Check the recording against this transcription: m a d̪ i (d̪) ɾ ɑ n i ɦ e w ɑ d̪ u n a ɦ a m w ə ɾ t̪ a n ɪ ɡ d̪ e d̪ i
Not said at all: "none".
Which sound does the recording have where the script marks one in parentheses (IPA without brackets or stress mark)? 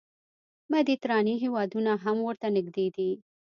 t̪